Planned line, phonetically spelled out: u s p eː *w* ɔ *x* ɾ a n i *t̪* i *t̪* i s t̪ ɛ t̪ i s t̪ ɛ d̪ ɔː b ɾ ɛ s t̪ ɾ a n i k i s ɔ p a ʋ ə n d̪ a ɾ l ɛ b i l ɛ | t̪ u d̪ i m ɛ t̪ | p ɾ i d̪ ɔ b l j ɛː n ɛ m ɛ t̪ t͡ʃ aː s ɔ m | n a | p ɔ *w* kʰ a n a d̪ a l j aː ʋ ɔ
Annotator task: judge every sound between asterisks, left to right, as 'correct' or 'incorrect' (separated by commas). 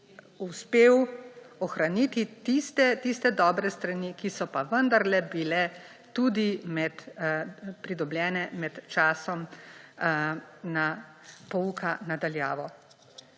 correct, correct, correct, correct, incorrect